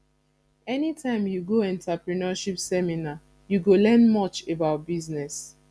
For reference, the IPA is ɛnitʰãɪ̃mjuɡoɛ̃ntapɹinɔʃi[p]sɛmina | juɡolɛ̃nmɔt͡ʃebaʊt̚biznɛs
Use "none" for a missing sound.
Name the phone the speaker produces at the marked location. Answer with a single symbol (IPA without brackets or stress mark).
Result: p